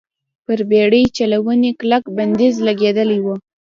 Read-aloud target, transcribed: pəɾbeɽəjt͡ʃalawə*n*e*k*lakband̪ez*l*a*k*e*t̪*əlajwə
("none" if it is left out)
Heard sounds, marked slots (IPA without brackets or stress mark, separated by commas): n, k, l, ɡ, d̪